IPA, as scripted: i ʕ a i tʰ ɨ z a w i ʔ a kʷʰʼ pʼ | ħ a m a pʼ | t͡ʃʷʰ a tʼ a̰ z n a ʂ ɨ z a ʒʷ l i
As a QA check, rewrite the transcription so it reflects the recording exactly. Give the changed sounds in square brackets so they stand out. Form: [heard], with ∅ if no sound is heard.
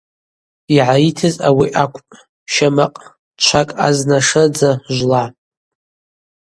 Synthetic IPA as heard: i ʕ a i tʰ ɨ z a w i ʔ a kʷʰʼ pʼ | [ʃ] a m a [qʼ] | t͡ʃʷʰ a [kʼ] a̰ z n a ʂ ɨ [d͡z] a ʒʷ l [a]